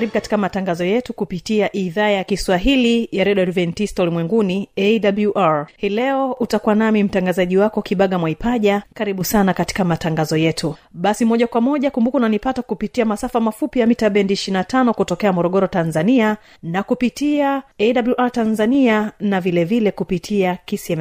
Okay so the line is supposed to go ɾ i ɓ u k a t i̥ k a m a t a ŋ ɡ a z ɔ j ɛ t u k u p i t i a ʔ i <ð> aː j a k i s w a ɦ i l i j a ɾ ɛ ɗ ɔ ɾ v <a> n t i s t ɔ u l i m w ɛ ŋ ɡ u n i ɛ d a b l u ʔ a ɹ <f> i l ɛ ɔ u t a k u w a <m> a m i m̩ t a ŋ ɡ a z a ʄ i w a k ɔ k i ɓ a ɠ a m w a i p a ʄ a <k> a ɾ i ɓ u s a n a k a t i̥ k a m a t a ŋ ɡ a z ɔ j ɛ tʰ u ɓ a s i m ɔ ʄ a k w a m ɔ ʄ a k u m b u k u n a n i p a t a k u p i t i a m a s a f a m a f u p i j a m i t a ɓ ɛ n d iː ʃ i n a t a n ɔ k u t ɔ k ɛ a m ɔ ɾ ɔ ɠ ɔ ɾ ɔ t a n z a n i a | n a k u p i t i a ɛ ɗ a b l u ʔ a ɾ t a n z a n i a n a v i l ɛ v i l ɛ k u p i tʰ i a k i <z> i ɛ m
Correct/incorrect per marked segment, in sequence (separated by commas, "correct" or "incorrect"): correct, incorrect, incorrect, incorrect, correct, incorrect